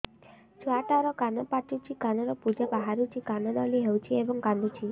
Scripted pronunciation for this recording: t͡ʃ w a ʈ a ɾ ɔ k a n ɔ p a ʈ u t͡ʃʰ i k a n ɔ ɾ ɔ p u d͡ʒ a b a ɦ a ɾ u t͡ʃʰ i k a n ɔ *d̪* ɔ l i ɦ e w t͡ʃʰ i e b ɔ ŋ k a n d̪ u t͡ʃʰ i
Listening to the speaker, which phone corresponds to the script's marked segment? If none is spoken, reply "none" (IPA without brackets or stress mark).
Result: d̪